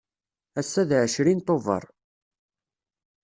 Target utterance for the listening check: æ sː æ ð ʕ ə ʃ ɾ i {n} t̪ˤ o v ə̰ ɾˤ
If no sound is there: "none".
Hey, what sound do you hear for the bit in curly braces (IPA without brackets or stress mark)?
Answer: n